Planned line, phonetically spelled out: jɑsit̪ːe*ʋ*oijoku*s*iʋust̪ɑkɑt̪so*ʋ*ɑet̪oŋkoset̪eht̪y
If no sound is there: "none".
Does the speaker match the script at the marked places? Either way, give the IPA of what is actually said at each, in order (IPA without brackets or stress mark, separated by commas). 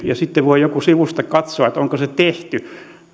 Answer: ʋ, s, none